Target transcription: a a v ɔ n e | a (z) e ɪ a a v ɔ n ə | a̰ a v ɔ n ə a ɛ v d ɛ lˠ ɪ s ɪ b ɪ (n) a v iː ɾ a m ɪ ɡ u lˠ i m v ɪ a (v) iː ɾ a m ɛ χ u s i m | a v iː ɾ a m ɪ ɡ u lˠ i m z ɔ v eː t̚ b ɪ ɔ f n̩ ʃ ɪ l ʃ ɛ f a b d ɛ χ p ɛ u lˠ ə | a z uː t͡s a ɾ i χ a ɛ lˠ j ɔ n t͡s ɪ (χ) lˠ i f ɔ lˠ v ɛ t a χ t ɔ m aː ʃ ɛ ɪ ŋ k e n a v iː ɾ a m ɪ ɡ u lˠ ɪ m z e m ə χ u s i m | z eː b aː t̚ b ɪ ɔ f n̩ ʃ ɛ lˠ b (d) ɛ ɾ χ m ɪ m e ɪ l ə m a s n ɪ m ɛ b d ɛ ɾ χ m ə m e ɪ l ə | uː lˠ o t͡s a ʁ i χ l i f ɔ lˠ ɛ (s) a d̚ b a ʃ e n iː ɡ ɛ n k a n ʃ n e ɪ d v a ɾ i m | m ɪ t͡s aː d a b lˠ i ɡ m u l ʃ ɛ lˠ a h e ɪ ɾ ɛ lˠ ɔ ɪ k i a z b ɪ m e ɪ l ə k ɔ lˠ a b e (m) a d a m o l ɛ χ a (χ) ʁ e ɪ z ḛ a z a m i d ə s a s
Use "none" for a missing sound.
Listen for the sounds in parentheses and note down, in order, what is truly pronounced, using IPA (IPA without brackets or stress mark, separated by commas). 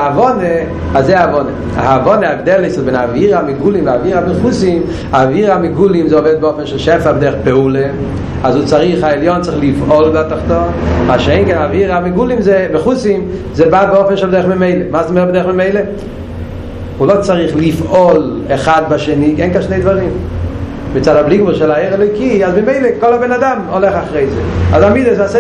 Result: z, n, v, χ, d, χ, n, χ